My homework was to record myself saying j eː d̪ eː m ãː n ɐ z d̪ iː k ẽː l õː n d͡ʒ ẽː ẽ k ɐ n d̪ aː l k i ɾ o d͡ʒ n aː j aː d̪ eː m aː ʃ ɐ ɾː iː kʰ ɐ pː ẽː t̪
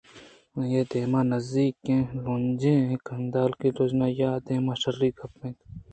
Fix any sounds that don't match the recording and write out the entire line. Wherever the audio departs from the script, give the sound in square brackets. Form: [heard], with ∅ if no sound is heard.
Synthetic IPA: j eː d̪ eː m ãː n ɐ z d̪ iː k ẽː l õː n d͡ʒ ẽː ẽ k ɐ n d̪ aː l k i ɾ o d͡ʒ n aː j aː d̪ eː m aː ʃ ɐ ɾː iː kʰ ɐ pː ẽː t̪